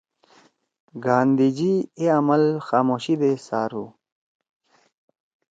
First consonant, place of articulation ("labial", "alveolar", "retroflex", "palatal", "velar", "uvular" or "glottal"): velar